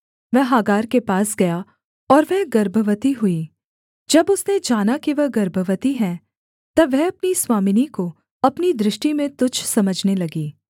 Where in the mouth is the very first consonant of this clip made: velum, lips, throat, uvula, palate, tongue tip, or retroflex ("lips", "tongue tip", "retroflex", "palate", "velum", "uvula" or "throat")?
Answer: lips